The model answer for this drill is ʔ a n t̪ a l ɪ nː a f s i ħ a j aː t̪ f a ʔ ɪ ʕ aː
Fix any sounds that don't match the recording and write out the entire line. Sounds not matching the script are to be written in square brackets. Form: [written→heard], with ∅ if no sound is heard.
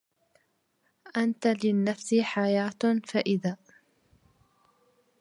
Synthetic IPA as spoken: ʔ a n t̪ a l ɪ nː a f s i ħ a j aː t̪ f a ʔ ɪ [ʕ→ð] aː